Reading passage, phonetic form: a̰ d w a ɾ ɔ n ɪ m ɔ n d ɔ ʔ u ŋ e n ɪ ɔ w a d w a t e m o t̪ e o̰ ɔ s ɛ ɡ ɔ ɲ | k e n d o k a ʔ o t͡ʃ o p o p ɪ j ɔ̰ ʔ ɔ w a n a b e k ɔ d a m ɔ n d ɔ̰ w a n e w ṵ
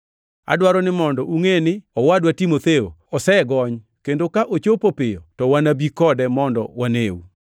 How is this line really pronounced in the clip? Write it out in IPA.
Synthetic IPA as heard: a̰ d w a ɾ ɔ n ɪ m ɔ n d ɔ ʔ u ŋ e n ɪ ɔ w a d w a t i m o t̪ e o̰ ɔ s ɛ ɡ ɔ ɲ | k e n d o k a ʔ o t͡ʃ o p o p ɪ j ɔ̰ t ɔ w a n a b i k ɔ d ɛ m ɔ n d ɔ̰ w a n e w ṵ